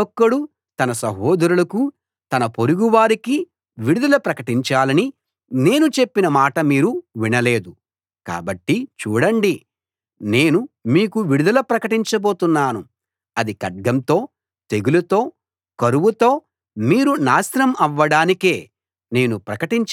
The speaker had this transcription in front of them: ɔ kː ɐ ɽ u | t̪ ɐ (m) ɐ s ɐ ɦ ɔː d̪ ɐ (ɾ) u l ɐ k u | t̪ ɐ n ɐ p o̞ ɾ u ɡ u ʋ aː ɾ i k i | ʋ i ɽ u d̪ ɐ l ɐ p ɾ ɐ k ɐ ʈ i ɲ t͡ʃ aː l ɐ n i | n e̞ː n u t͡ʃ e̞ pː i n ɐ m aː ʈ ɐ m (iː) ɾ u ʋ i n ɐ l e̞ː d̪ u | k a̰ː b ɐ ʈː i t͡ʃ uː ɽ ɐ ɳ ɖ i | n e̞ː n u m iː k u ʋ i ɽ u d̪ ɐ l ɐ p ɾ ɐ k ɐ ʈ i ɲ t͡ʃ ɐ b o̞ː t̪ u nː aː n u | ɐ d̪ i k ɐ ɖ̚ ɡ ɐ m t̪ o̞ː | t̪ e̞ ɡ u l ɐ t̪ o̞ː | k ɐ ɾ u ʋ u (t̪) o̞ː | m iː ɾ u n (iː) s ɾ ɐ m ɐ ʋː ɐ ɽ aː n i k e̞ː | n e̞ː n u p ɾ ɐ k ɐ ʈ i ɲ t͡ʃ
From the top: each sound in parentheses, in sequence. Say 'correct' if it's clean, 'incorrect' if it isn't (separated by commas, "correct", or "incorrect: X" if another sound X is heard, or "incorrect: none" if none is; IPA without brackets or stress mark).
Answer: incorrect: n, correct, correct, correct, incorrect: aː